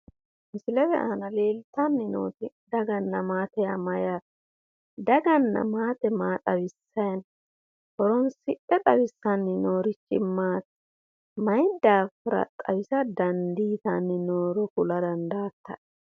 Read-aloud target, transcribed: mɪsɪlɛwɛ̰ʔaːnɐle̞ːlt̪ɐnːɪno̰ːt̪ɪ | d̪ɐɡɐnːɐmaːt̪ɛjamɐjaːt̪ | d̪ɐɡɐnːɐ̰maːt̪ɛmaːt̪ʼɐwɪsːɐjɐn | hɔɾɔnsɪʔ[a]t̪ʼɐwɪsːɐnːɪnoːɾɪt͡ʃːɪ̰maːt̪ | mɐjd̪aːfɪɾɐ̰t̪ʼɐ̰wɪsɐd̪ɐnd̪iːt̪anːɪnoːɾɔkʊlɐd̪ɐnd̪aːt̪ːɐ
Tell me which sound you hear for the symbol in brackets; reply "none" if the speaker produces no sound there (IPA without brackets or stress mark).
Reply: ɛ